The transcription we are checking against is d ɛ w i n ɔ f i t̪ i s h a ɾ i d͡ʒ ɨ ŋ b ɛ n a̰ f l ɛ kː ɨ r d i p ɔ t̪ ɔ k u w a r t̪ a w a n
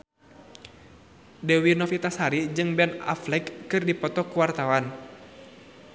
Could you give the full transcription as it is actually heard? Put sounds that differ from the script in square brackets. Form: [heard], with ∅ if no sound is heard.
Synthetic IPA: d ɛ w i n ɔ f i t̪ [a] s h a ɾ i d͡ʒ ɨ ŋ b ɛ n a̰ f l ɛ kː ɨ r d i p ɔ t̪ ɔ k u w a r t̪ a w a n